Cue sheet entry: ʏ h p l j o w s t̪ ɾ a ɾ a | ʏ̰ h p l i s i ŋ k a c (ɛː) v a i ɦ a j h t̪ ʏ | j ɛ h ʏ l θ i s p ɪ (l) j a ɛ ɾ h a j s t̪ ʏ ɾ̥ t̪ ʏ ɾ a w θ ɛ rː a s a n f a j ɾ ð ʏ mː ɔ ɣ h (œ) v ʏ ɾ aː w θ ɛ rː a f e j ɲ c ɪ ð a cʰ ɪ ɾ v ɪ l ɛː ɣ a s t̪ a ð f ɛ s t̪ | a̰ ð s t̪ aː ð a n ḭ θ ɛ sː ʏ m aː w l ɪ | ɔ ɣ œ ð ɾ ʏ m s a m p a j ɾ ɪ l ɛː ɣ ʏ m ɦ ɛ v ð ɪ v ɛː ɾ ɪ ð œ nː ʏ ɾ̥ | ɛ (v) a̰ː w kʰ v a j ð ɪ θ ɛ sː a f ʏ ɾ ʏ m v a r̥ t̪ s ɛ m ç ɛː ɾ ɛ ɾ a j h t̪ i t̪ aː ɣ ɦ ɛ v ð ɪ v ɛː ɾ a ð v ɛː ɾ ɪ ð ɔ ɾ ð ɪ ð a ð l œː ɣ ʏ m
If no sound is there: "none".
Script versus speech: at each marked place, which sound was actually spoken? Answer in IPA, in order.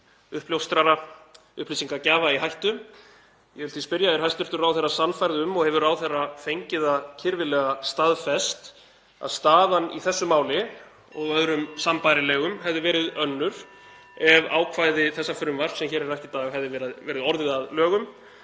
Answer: aː, ɾ, ɛ, v

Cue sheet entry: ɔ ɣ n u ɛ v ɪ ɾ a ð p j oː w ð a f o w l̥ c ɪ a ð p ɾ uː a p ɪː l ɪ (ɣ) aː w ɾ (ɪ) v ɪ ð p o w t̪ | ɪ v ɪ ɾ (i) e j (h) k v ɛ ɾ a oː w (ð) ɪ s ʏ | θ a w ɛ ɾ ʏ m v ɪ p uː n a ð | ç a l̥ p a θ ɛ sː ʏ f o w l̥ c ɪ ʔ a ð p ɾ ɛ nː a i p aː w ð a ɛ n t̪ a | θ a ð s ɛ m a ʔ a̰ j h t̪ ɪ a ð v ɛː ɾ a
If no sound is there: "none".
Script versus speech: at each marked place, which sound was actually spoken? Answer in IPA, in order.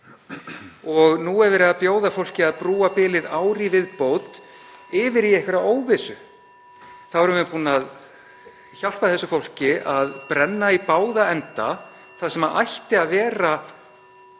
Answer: ð, i, i, h, v

